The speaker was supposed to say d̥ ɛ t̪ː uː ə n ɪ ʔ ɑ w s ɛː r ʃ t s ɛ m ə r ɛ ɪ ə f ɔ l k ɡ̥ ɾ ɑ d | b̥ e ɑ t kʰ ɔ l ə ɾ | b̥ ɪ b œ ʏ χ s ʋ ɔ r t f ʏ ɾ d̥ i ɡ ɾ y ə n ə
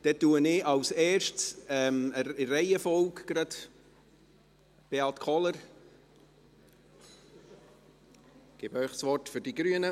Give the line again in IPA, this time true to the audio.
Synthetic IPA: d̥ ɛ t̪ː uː ə n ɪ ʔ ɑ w s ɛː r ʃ t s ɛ m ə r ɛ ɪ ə f ɔ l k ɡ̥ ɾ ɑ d | b̥ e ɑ t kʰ ɔ l ə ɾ | ɡ̥ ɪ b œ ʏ χ s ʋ ɔ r t f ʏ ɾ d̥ i ɡ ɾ y ə n ə

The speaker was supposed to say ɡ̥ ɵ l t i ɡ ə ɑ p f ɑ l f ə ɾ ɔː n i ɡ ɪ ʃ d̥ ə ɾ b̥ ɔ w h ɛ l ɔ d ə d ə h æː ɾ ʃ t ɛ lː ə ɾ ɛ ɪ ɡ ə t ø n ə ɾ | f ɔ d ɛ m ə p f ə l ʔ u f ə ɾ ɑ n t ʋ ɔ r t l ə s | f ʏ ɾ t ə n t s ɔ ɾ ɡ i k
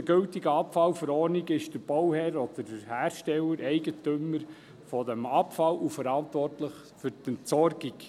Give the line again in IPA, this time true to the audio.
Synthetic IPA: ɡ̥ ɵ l t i ɡ ə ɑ p f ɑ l f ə ɾ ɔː n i ɡ ɪ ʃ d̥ ə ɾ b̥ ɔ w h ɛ ɾ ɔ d ə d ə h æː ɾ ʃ t ɛ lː ə ɾ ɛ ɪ ɡ ə t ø m ə ɾ | f ɔ d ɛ m ɑ p f ɑ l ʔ u f ə ɾ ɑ n t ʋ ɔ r t l ə χ | f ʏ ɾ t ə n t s ɔ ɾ ɡ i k

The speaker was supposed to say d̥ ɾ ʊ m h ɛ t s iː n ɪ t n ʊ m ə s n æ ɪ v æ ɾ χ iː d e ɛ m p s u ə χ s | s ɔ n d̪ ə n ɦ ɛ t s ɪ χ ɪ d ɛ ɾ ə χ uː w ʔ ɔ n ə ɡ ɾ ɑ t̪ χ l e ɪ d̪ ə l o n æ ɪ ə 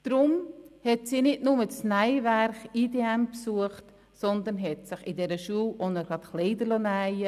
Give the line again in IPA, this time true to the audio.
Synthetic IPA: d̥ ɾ ʊ m h ɛ t s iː n ɪ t n ʊ m ə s n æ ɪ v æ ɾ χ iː d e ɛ m p s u ə χ t | s ɔ n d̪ ə n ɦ ɛ t s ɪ χ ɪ d ɛ ɾ ə ʃ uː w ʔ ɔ n ə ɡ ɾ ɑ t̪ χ l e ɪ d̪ ə l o n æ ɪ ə

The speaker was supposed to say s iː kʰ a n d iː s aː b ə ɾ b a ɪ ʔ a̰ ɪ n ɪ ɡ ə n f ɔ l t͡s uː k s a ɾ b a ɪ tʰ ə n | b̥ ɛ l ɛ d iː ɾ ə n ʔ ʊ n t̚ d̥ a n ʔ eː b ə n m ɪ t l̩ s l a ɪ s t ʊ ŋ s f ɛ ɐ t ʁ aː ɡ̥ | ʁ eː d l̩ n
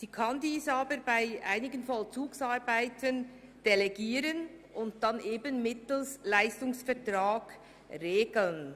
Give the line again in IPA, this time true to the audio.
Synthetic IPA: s iː kʰ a n d iː s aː b ə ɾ b a ɪ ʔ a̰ ɪ n ɪ ɡ ə n f ɔ l t͡s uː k s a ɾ b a ɪ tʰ ə n | d̥ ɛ l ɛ ɡ iː ɾ ə n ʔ ʊ n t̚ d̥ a n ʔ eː b ə n m ɪ t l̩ s l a ɪ s t ʊ ŋ s f ɛ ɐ t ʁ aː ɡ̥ | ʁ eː ɡ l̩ n

